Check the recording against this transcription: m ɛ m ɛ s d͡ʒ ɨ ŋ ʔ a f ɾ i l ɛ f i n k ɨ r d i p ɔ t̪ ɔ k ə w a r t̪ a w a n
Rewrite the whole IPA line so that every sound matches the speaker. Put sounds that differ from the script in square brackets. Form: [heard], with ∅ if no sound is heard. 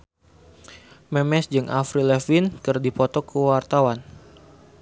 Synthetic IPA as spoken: m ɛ m ɛ s d͡ʒ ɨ ŋ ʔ a f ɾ i l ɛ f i n k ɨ r d i p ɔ t̪ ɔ k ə w a r t̪ a w a n